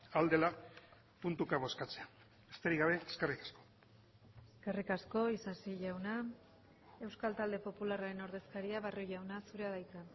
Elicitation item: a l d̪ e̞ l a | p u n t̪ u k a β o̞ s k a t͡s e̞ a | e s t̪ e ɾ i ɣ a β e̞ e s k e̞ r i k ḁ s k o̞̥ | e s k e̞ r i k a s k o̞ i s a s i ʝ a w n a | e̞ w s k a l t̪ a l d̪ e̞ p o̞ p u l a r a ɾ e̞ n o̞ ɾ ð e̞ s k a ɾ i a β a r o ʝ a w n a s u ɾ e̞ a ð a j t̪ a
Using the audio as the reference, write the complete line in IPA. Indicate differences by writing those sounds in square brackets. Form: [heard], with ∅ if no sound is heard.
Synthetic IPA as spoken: a l d̪ e̞ l a | p u n t̪ u k a β o̞ s k a t͡s e̞ a | e s t̪ e ɾ i ɣ a β e̞ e s k e̞ r i k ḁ s k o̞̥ | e s k e̞ r i k a s k o̞ i s a s i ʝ a w n a | e̞ w s k a l t̪ a l d̪ e̞ p o̞ p u l a r a ɾ e̞ n o̞ ɾ ð e̞ s k a ɾ i a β a r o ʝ a w n a s u ɾ e̞ a ð a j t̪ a